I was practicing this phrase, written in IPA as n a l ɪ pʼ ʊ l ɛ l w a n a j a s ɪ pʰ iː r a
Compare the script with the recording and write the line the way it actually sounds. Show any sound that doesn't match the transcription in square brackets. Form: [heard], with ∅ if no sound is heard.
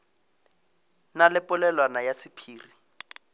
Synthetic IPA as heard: n a l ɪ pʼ ʊ l ɛ l w a n a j a s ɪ pʰ iː r [i]